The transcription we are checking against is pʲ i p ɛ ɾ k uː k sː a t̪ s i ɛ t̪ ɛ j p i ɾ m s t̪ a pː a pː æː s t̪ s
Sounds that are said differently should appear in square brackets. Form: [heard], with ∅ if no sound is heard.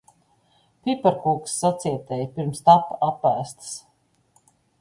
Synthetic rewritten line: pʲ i p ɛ ɾ k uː k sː a t̪ s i ɛ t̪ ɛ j p i ɾ m s t̪ a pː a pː æː s t̪ s